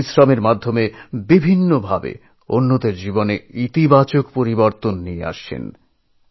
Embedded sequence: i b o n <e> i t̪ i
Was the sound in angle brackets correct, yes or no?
yes